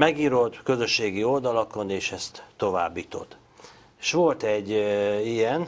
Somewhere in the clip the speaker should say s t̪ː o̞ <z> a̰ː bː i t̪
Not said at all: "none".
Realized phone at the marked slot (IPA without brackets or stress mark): v